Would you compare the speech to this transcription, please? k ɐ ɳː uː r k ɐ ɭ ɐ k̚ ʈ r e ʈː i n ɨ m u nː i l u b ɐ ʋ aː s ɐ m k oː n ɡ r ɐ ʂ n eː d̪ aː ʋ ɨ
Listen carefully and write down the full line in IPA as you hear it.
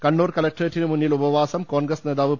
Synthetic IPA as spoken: k ɐ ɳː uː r k ɐ l ɐ k̚ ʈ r e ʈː i n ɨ m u nː i l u b ɐ ʋ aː s ɐ m k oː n ɡ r ɐ s n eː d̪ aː ʋ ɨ